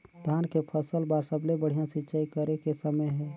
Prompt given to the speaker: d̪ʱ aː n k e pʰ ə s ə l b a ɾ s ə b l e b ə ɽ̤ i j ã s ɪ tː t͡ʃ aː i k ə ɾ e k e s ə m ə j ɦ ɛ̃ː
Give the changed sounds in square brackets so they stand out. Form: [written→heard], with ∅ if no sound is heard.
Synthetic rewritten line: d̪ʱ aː n k e pʰ ə s ə l b a ɾ s ə b l e b ə ɽ̤ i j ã s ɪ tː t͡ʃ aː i k ə ɾ e k e s ə m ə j ɦ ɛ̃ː